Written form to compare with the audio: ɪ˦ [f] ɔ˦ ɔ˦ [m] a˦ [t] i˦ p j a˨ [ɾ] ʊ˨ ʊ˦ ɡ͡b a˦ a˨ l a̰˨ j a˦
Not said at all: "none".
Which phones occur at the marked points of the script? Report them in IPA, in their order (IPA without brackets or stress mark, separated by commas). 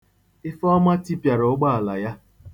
f, m, t, ɾ